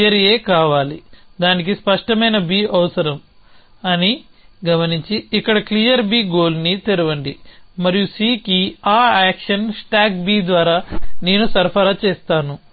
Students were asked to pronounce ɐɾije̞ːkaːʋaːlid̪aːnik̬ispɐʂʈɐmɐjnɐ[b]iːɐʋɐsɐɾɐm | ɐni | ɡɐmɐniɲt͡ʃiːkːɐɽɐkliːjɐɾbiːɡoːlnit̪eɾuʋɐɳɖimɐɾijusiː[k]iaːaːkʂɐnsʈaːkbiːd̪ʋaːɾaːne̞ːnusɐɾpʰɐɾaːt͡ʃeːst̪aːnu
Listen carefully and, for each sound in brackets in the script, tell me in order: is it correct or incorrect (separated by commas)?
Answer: correct, correct